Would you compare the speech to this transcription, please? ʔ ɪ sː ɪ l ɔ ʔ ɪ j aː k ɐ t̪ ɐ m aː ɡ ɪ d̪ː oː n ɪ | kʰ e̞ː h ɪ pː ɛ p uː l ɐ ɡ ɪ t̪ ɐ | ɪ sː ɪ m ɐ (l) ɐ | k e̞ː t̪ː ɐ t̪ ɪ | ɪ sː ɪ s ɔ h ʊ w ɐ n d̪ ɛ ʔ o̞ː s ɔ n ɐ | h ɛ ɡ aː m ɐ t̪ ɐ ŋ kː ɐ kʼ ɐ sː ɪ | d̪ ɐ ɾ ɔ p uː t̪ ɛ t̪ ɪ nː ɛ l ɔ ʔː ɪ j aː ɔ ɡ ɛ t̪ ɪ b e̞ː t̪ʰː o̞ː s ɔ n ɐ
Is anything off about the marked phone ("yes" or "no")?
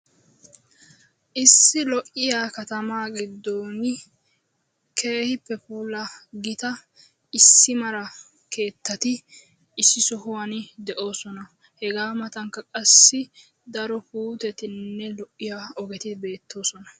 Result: yes